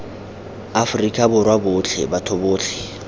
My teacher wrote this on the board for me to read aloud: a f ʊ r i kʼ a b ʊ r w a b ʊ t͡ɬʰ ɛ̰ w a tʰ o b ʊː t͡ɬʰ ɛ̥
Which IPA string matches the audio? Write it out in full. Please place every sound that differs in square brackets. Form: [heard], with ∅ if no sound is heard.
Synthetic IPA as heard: a f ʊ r i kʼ a b ʊ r w a b ʊ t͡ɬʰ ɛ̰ [b] a tʰ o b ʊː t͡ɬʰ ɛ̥